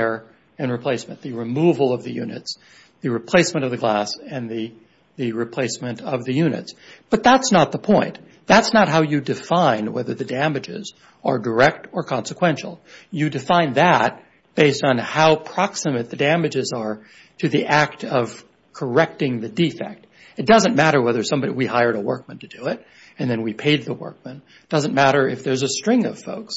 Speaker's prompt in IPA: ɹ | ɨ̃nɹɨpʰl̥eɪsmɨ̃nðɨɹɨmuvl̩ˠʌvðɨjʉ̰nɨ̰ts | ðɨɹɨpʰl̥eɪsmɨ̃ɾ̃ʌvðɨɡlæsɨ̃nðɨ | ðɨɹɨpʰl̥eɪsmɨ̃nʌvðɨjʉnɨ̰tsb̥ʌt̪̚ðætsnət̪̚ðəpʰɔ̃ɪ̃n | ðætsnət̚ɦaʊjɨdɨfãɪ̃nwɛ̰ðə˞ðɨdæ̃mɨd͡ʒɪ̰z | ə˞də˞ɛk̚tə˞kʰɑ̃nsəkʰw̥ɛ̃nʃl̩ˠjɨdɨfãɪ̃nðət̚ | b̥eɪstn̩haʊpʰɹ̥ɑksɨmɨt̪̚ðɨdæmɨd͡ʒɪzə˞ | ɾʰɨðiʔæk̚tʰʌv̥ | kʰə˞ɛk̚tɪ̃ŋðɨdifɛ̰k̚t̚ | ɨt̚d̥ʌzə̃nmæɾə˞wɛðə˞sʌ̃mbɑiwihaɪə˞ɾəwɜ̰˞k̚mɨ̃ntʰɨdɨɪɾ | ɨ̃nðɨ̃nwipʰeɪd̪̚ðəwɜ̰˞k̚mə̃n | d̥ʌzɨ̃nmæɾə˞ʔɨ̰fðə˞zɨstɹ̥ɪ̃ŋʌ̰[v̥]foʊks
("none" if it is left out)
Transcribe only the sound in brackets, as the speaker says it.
v̥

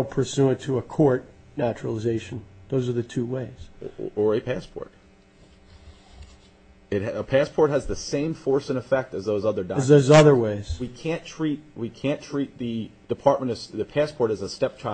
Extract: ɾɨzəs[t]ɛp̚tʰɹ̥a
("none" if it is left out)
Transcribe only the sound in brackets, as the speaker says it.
t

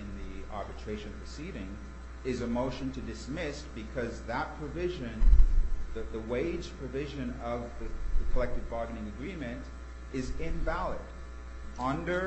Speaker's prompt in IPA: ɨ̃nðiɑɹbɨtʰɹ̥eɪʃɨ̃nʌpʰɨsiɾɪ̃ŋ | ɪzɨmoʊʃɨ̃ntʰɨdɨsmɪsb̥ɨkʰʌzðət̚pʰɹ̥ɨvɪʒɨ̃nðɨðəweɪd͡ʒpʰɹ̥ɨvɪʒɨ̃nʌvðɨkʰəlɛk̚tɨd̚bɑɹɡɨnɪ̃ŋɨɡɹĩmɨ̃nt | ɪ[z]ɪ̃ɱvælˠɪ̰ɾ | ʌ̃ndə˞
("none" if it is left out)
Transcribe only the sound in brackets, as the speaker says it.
z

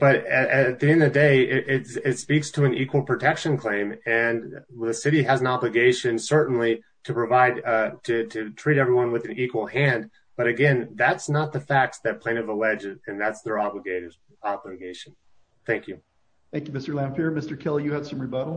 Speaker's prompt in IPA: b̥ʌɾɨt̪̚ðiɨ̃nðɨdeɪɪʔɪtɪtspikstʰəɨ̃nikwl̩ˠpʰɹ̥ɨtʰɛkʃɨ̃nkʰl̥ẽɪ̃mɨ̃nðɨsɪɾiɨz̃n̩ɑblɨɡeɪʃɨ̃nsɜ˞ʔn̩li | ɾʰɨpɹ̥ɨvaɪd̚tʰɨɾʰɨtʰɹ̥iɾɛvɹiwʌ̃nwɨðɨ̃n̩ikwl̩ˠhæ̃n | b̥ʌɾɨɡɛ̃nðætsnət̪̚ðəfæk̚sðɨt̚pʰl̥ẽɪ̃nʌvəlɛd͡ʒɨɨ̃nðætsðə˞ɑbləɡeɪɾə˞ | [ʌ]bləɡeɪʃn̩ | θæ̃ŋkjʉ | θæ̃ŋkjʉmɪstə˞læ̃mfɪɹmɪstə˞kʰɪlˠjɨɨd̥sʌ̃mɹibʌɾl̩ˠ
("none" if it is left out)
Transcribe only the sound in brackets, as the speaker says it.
ɑ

